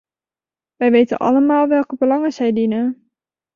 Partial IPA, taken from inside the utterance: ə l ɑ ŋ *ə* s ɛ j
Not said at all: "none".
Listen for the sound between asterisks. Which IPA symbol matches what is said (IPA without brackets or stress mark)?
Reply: ə